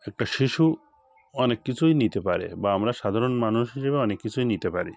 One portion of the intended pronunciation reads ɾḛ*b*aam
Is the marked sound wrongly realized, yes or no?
no